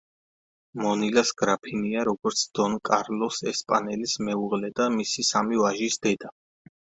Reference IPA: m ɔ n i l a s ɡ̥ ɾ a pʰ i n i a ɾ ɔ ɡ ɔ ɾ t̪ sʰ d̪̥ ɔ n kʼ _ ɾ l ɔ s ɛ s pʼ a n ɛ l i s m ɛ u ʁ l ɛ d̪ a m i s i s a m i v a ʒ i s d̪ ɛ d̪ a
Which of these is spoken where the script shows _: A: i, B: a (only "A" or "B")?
B